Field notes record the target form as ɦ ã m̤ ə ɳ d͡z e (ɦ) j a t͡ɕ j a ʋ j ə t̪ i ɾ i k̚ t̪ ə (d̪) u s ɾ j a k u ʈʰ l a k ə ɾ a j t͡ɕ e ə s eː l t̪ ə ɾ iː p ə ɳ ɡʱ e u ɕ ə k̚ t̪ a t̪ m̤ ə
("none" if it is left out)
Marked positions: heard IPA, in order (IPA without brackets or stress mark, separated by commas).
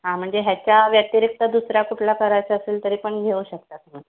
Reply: ɦ, d̪